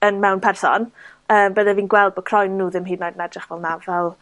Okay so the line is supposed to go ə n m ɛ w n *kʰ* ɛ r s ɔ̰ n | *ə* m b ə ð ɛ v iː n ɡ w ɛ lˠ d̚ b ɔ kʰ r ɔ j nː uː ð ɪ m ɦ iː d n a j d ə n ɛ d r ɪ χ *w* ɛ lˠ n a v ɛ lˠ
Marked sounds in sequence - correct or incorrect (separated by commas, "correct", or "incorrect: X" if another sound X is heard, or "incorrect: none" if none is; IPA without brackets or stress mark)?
incorrect: pʰ, incorrect: əː, incorrect: v